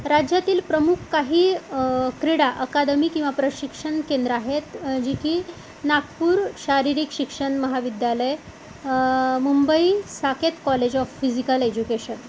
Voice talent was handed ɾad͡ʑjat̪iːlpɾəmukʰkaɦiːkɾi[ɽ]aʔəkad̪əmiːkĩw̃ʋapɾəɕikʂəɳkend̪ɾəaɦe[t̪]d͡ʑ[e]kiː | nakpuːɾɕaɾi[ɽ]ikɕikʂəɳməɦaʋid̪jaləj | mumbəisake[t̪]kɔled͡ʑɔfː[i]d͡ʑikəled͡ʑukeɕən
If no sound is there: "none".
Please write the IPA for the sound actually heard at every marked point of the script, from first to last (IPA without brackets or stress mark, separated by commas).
ɽ, t̪, i, ɾ, t̪, i